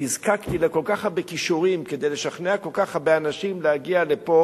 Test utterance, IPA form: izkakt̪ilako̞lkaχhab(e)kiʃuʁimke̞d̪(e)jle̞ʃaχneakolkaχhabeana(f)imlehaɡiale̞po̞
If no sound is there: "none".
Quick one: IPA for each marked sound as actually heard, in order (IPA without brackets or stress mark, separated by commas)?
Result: e, e, ʃ